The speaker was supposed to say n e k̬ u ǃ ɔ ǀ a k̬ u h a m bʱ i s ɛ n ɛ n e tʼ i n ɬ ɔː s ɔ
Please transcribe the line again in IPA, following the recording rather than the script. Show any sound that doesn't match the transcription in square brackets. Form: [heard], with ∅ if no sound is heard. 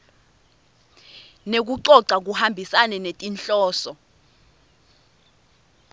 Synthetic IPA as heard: n e k̬ u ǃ ɔ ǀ a k̬ u h a m bʱ i s [a] n ɛ n e tʼ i n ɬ ɔː s ɔ